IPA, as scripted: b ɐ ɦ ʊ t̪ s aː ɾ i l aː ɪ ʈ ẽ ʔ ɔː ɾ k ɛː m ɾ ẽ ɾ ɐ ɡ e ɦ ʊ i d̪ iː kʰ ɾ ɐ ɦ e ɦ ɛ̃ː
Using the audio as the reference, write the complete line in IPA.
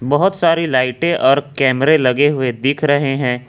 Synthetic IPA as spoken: b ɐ ɦ ʊ t̪ s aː ɾ i l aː ɪ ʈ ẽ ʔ ɔː ɾ k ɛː m ɾ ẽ l ɐ ɡ e ɦ ʊ e d̪ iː kʰ ɾ ɐ ɦ e ɦ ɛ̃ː